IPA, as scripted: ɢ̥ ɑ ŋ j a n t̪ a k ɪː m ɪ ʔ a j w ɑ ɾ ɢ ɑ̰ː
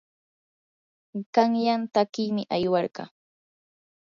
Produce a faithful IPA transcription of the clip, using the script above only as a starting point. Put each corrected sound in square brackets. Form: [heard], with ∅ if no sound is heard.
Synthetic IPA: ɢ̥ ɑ ŋ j a n t̪ a k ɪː m ɪ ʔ a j w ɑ ɾ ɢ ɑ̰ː